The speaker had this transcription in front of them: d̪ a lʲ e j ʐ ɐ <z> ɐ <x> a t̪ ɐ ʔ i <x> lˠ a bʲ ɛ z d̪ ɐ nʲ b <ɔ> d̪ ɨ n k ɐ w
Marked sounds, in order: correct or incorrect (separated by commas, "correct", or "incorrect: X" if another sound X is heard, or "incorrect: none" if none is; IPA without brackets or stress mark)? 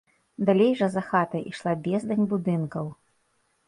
correct, correct, incorrect: ʂ, incorrect: u